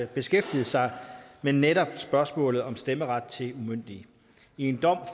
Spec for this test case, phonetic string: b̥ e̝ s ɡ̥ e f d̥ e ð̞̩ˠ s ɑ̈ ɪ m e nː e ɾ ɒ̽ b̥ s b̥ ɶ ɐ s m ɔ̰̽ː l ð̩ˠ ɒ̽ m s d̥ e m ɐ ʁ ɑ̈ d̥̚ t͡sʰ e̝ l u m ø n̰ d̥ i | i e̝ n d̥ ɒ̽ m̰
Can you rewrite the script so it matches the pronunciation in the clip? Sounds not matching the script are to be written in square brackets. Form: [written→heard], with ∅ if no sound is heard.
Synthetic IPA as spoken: b̥ e̝ s ɡ̥ e f d̥ [e→i] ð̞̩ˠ s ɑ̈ ɪ m e nː e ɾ ɒ̽ b̥ s b̥ ɶ ɐ s m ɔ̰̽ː l ð̩ˠ ɒ̽ m s d̥ e m [ɐ→ə] ʁ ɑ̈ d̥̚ t͡sʰ e̝ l u m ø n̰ d̥ i | i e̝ n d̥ ɒ̽ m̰